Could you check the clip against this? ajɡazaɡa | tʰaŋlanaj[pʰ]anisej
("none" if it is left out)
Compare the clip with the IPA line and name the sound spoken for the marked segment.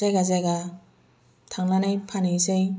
pʰ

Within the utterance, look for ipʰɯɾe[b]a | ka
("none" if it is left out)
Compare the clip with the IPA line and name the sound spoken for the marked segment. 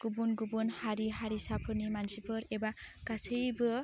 b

